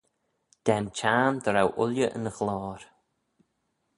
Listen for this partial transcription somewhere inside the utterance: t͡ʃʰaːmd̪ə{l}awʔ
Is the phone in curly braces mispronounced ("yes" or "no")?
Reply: yes